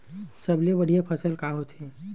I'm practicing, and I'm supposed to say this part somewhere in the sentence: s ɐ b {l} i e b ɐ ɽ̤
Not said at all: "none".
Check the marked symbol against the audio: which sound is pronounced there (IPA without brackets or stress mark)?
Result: l